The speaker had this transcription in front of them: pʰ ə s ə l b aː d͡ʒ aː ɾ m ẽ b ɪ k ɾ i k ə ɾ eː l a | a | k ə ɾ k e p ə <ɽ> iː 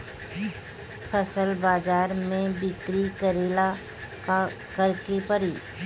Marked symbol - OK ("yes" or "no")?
no